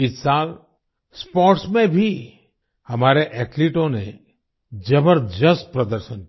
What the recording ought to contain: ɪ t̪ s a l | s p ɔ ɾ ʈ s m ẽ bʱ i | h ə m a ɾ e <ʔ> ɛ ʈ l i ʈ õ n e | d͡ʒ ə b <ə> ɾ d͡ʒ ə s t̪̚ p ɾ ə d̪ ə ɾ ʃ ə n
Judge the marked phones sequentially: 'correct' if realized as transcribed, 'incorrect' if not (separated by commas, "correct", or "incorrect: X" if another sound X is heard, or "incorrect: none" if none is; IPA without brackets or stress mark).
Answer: correct, correct